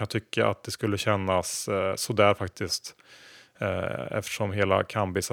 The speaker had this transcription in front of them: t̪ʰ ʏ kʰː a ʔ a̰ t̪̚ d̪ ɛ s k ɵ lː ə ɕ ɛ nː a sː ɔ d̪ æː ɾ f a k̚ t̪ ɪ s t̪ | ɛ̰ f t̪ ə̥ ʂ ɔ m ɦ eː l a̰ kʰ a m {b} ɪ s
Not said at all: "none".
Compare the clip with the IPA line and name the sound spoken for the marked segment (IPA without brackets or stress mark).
b